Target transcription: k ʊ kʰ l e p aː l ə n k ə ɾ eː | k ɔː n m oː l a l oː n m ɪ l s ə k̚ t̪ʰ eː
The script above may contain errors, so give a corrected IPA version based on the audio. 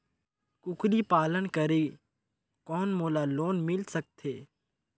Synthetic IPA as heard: k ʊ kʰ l i p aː l ə n k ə ɾ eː | k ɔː n m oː l a l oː n m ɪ l s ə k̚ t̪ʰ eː